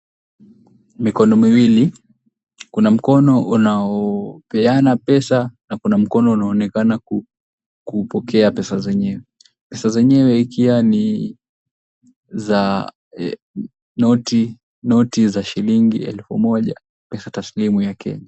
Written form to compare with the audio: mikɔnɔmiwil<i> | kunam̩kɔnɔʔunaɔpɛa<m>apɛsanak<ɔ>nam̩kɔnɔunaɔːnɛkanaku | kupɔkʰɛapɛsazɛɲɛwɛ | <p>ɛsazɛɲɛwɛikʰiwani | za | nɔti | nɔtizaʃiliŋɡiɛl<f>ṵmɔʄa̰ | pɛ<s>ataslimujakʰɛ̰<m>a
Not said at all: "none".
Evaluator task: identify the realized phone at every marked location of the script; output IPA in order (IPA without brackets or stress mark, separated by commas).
i, n, u, p, f, s, ɲ